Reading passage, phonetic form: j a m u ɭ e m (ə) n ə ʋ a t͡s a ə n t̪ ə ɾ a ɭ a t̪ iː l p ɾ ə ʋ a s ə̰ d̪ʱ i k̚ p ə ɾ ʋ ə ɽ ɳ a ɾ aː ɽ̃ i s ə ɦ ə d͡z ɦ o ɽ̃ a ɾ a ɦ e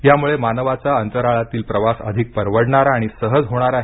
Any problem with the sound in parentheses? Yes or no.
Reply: yes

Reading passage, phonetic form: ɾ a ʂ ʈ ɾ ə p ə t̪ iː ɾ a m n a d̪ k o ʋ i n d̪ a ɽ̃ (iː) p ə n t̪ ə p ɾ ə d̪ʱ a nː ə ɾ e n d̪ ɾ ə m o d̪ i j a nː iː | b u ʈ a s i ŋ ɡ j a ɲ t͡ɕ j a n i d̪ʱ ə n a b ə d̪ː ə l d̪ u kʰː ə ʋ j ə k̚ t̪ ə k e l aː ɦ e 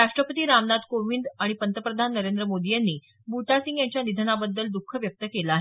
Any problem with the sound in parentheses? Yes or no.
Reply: yes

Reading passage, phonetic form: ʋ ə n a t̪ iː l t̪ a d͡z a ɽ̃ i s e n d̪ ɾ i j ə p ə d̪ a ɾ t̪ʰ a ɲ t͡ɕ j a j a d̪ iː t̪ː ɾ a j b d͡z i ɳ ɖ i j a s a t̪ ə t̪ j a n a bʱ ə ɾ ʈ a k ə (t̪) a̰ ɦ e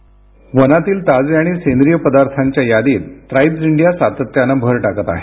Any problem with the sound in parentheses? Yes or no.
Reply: no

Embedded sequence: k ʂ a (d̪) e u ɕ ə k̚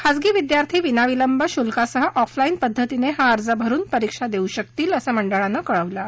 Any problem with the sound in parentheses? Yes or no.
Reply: no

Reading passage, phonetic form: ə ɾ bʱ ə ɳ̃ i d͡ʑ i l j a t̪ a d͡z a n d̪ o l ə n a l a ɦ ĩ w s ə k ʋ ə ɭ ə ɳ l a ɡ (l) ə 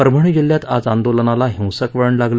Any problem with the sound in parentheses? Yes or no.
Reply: no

